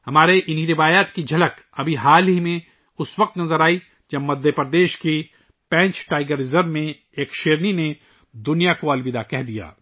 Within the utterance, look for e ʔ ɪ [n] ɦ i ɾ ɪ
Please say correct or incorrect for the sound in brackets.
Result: correct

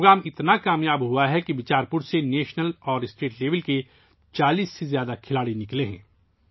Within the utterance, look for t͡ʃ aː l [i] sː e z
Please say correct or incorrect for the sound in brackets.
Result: incorrect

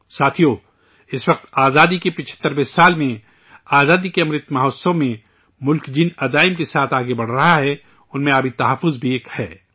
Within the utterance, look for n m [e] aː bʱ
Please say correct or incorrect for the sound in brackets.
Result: incorrect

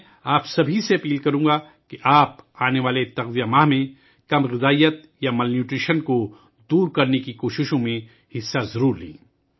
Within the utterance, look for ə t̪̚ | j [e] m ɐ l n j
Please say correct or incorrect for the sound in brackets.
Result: incorrect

